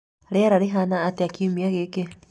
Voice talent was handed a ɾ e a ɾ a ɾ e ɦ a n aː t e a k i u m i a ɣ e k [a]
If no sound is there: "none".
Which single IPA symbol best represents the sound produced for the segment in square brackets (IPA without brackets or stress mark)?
e